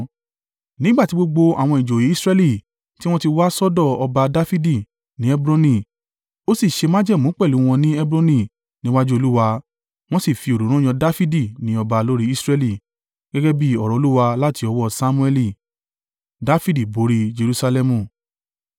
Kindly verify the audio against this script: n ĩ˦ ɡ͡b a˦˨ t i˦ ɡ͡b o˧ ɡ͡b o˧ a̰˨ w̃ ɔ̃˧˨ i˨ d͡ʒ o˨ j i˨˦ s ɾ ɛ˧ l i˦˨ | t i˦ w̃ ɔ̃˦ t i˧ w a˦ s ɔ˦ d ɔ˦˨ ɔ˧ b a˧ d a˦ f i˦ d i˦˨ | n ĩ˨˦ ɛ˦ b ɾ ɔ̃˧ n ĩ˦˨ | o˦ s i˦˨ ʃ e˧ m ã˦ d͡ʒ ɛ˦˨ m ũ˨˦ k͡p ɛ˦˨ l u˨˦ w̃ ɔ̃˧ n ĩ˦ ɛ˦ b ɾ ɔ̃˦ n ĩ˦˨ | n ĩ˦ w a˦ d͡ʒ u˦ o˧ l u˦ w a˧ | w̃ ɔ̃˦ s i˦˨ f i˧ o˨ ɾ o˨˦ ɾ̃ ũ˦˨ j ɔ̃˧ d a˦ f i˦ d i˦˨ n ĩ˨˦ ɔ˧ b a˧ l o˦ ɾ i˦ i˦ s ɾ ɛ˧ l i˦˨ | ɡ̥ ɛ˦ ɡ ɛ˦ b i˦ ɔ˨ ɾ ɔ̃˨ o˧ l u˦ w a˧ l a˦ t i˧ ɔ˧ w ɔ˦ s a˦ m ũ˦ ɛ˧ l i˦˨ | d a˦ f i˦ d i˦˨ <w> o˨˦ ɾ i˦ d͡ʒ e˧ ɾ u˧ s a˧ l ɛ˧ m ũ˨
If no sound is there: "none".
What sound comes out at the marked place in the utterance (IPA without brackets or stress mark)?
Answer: b